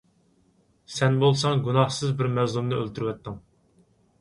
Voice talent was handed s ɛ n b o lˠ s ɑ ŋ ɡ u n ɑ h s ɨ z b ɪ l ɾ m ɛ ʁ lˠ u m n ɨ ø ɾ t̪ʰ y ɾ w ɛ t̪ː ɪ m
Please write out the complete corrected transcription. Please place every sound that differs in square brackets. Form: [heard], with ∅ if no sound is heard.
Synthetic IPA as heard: s ɛ n b o lˠ s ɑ ŋ ɡ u n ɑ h s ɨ z b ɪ [∅] ɾ m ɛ [z] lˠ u m n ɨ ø [l] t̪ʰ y ɾ w ɛ t̪ː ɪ [ŋ]